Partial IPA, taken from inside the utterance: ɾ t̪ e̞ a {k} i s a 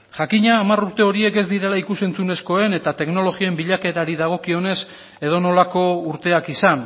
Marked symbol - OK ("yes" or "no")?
yes